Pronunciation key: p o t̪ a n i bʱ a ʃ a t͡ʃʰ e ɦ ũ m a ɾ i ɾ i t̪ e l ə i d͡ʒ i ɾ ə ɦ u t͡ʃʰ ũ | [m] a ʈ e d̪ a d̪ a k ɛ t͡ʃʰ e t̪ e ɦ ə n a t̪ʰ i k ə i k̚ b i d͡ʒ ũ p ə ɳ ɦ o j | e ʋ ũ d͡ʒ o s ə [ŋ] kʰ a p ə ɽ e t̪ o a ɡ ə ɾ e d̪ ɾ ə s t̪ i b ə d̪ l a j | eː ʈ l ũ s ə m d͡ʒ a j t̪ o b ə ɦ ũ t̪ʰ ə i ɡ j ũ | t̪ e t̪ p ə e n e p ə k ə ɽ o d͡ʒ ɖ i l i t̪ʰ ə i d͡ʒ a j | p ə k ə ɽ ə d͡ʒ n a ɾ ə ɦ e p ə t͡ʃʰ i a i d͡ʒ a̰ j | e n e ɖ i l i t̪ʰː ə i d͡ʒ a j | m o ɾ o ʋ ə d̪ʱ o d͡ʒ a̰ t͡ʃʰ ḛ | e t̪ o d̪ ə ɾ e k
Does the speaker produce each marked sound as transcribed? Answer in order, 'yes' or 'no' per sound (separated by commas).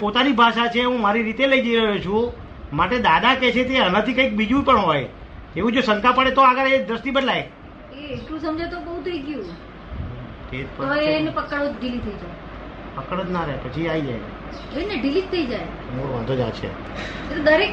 yes, yes